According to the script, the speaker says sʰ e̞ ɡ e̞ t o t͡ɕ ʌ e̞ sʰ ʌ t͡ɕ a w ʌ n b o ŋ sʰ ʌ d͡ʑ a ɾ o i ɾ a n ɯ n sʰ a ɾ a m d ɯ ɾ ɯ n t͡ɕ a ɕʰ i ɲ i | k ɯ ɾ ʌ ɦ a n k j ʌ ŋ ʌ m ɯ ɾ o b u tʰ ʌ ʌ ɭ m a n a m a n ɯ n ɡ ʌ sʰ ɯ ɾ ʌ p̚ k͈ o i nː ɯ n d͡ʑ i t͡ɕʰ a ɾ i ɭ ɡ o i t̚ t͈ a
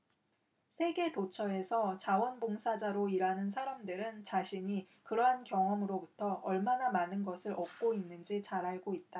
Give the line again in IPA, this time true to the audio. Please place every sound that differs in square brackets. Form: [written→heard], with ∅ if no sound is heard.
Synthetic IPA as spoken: sʰ e̞ ɡ e̞ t o [t͡ɕ→t͡ɕʰ] ʌ e̞ sʰ ʌ t͡ɕ a w ʌ n b o ŋ sʰ [ʌ→a] d͡ʑ a ɾ o i ɾ a n ɯ n sʰ a ɾ a m d ɯ ɾ ɯ n t͡ɕ a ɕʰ i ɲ i | k ɯ ɾ ʌ ɦ a n k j ʌ ŋ ʌ m ɯ ɾ o b u tʰ ʌ ʌ ɭ m a n a m a n ɯ n ɡ ʌ sʰ ɯ ɾ ʌ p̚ k͈ o i nː ɯ n d͡ʑ i [t͡ɕʰ→t͡ɕ] a ɾ [i→a] ɭ ɡ o i t̚ t͈ a